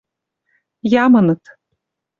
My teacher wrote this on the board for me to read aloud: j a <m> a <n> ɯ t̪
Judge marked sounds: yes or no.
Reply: yes, yes

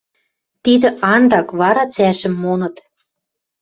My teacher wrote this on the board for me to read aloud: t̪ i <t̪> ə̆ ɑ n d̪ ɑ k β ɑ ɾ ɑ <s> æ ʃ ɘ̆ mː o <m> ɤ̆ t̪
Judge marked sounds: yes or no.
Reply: no, no, no

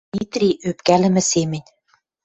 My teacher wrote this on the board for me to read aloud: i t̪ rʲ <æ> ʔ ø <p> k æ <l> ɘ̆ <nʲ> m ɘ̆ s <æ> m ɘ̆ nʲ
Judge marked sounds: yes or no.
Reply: no, yes, yes, no, no

